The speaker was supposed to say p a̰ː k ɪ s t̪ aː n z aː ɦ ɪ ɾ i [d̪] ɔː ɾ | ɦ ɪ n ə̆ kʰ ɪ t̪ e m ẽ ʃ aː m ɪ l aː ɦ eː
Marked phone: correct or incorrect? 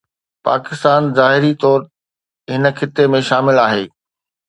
incorrect